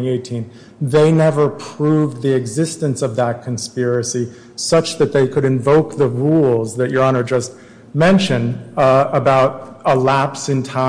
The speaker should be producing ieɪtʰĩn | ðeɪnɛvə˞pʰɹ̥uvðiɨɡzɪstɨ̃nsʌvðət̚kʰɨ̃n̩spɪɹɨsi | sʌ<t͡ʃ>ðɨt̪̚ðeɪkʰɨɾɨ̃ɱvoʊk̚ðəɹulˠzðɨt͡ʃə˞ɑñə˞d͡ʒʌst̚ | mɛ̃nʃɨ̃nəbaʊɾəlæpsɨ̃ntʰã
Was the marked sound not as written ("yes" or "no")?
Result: no